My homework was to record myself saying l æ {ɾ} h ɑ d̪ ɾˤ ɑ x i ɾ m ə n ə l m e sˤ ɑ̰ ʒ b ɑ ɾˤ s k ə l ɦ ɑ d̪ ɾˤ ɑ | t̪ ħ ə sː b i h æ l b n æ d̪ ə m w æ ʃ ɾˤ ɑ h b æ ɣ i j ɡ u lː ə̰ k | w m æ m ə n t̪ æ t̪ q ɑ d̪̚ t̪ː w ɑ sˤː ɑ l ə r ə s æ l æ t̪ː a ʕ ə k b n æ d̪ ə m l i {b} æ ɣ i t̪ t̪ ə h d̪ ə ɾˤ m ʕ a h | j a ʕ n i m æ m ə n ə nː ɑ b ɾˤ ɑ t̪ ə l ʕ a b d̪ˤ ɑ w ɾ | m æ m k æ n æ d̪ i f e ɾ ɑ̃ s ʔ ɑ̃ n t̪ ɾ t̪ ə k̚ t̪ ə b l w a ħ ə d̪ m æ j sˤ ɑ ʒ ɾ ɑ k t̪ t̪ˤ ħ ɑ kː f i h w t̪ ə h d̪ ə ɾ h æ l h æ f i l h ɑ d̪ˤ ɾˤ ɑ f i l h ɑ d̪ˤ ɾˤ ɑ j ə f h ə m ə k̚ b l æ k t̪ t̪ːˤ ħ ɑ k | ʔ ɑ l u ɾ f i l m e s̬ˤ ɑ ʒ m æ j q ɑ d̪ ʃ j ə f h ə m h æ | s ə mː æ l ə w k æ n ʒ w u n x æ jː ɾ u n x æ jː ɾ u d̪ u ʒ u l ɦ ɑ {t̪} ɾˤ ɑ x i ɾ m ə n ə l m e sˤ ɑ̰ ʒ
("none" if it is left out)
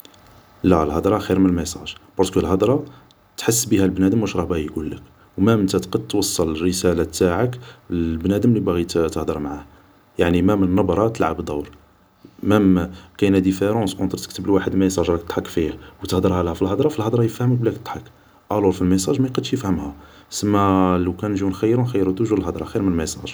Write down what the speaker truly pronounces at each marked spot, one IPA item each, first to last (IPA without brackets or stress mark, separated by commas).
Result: l, b, d̪